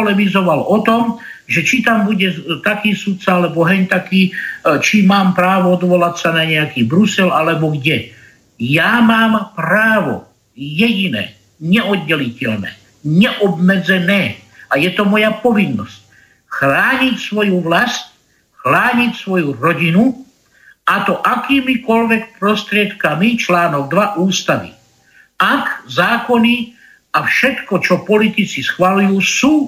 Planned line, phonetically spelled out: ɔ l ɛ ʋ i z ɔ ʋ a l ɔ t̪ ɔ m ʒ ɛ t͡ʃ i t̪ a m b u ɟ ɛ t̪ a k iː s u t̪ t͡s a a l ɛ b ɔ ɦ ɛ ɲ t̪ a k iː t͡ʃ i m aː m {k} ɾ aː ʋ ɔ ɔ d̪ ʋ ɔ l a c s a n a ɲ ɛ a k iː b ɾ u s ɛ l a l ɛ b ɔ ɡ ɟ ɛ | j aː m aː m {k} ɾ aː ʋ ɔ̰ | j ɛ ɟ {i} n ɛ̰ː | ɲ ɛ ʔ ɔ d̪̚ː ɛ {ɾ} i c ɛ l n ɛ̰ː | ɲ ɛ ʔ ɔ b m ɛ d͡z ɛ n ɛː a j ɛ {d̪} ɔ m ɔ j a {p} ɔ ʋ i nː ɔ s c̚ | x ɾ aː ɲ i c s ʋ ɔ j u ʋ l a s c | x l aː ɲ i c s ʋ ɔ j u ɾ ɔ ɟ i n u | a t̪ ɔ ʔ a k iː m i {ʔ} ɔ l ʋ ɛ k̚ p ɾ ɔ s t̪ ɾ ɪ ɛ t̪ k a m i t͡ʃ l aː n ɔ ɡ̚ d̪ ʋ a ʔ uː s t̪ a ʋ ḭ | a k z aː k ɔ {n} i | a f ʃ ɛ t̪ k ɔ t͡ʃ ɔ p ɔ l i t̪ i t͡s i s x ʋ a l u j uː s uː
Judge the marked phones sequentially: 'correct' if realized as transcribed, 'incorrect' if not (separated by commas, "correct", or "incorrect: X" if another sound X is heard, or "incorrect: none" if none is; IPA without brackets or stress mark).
incorrect: p, incorrect: p, correct, incorrect: l, incorrect: t̪, correct, incorrect: k, correct